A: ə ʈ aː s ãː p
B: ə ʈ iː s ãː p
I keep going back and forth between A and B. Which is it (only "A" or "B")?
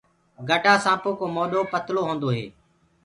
A